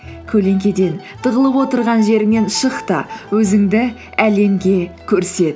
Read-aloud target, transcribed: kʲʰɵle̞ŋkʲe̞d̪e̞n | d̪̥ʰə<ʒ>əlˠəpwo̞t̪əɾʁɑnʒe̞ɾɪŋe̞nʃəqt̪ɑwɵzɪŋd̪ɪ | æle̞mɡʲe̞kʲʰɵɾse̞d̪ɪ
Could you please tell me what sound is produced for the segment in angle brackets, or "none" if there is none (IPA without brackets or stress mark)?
ʁ